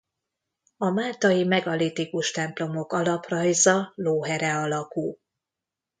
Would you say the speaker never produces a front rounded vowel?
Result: yes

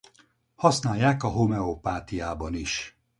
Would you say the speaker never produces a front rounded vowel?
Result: yes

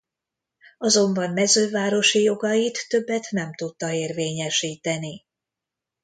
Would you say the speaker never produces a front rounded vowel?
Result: no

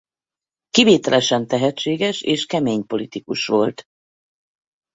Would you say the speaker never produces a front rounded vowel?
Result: yes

